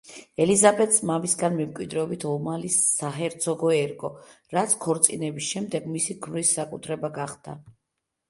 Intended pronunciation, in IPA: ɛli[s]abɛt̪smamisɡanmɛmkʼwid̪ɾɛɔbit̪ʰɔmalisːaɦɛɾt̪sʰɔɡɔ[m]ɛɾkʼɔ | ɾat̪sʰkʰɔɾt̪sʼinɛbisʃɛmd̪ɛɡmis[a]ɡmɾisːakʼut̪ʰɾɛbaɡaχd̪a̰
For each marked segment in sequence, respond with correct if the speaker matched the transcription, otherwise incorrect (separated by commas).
incorrect, incorrect, incorrect